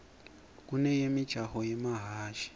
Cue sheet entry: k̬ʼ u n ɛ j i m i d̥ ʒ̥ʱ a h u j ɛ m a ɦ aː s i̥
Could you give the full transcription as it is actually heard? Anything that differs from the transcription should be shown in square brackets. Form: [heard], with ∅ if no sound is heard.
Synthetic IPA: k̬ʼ u n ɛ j [e] m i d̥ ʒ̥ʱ a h [ɔ] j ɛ m a ɦ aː [ʃ] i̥